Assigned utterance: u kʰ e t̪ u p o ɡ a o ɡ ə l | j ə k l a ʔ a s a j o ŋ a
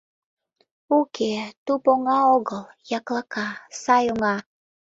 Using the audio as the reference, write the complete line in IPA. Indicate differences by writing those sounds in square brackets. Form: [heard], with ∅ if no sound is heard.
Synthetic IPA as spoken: u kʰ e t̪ u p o [ŋ] a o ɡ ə l | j [a] k l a [k] a s a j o ŋ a